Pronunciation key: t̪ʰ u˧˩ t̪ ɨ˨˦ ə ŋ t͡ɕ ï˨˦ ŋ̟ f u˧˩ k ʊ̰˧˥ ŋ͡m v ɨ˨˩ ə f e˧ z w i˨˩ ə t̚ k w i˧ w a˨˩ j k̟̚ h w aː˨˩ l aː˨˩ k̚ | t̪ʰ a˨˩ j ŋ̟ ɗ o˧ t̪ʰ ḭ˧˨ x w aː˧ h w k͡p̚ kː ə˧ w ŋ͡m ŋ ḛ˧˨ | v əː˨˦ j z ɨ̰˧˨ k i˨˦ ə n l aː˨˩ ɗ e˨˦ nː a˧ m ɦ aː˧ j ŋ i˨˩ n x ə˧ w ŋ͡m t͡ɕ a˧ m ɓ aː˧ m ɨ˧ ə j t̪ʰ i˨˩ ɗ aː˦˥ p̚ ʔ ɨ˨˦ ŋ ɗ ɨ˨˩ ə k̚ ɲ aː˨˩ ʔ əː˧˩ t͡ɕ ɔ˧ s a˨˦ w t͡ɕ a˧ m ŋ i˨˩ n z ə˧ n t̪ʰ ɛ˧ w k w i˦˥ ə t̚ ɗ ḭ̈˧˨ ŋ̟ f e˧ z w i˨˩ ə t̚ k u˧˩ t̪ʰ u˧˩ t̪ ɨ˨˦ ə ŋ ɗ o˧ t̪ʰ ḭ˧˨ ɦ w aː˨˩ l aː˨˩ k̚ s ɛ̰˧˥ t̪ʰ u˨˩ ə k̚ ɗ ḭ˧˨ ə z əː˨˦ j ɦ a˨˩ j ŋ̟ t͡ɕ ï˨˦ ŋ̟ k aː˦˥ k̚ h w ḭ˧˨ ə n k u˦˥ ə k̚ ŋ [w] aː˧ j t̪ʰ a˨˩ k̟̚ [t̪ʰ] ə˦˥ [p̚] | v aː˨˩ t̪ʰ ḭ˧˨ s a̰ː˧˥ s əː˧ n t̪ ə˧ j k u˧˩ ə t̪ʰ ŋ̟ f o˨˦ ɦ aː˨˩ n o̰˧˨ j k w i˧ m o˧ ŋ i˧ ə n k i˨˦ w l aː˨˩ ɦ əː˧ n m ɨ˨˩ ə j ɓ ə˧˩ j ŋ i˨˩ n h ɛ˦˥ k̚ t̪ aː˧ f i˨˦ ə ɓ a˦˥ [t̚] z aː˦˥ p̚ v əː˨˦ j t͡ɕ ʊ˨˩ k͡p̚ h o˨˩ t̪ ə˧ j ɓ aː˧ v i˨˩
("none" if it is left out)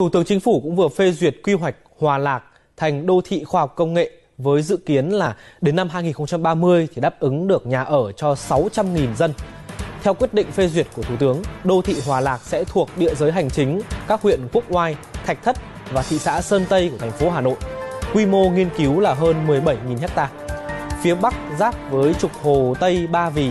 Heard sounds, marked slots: w, t̪ʰ, t̚, k̚

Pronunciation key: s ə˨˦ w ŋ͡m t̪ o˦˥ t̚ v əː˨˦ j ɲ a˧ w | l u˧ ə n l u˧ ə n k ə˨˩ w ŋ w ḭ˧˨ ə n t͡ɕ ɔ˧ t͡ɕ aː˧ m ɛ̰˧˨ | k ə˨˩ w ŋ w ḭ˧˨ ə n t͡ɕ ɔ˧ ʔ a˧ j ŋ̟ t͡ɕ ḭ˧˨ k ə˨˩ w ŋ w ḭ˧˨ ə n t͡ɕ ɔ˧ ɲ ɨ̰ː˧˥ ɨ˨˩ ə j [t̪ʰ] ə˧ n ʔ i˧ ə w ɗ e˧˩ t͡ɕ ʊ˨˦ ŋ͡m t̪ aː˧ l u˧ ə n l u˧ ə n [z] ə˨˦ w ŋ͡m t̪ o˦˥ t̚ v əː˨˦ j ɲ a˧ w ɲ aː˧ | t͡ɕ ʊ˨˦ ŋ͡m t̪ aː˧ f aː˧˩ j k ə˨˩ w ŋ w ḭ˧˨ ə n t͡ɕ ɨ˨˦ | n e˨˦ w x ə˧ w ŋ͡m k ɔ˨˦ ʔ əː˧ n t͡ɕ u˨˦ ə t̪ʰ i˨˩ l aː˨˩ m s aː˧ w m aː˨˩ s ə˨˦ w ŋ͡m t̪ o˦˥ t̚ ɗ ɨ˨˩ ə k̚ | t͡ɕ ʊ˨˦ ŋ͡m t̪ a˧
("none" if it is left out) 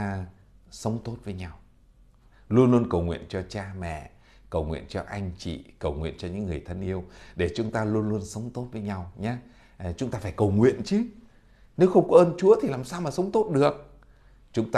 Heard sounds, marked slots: t̪ʰ, s

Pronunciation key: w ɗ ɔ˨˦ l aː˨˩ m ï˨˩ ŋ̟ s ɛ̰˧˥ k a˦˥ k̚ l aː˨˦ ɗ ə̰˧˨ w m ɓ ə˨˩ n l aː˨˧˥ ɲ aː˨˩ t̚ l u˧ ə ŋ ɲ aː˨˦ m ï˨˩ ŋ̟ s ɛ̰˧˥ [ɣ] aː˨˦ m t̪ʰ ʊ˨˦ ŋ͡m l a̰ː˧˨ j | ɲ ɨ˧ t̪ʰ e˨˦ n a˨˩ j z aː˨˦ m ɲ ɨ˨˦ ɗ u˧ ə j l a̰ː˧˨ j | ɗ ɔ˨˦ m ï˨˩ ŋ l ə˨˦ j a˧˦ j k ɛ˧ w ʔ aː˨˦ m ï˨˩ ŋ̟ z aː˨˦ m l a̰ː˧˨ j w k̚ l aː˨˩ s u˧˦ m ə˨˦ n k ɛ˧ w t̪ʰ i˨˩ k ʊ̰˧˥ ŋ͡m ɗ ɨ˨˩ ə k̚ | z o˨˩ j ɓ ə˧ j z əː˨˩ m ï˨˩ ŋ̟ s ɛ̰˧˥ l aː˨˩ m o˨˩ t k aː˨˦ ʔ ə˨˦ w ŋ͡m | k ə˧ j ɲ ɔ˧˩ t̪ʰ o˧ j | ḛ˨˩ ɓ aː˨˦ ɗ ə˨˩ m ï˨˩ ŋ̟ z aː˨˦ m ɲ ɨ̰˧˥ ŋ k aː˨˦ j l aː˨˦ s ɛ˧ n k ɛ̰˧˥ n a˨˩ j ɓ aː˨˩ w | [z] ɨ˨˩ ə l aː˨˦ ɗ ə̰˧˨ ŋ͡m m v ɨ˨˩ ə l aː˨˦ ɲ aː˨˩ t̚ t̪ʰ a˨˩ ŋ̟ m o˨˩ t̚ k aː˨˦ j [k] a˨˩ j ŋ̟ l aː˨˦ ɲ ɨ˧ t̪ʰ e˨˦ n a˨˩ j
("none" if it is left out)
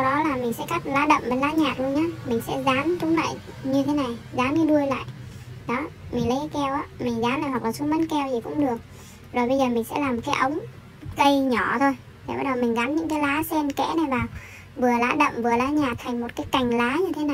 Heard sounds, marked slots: z, v, k

